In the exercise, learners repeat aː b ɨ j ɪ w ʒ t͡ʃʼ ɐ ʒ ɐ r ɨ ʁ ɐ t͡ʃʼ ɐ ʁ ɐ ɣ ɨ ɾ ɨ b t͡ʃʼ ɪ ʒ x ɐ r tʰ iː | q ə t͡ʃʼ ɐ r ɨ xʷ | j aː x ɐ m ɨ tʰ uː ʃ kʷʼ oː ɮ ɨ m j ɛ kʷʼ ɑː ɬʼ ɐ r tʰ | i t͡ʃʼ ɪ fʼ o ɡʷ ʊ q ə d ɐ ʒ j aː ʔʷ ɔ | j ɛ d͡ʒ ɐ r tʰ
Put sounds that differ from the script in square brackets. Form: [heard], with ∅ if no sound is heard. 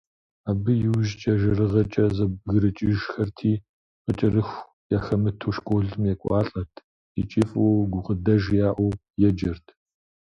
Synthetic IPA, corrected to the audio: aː b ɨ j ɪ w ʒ t͡ʃʼ ɐ ʒ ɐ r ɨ ʁ ɐ t͡ʃʼ ɐ [z] ɐ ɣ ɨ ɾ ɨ [∅] t͡ʃʼ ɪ ʒ x ɐ r tʰ iː | q ə t͡ʃʼ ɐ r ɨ xʷ | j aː x ɐ m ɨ tʰ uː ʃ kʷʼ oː ɮ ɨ m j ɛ kʷʼ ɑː ɬʼ ɐ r tʰ | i t͡ʃʼ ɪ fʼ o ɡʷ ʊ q ə d ɐ ʒ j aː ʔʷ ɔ | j ɛ d͡ʒ ɐ r tʰ